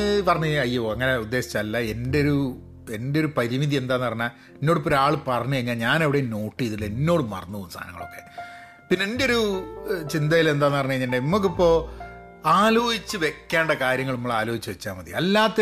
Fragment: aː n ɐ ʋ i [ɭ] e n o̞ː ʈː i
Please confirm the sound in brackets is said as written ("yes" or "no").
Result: no